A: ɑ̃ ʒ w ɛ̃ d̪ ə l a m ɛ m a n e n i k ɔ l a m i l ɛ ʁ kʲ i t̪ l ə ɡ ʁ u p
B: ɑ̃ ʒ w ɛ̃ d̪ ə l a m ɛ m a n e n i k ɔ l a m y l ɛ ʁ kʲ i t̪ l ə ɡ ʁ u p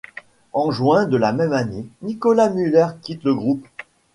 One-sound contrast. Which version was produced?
B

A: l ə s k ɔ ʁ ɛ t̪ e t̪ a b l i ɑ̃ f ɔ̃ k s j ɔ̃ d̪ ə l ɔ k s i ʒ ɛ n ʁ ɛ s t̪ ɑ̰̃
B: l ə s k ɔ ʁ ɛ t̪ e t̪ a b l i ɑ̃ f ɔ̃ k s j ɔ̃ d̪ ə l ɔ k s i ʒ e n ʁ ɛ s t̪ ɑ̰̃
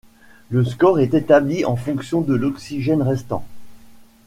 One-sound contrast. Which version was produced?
A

